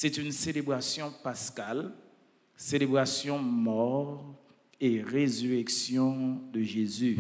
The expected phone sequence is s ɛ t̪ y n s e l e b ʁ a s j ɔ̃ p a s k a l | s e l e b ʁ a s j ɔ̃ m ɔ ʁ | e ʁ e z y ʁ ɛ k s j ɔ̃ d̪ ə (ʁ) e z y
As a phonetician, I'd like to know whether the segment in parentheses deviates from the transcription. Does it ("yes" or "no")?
yes